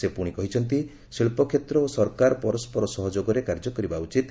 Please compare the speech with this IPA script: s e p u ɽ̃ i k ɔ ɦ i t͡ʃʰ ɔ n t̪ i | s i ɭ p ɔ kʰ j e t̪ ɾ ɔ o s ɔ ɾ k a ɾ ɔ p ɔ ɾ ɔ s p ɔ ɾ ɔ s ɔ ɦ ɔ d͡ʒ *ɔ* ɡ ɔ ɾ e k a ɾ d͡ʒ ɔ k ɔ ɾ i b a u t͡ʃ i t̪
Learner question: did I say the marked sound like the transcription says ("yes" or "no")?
no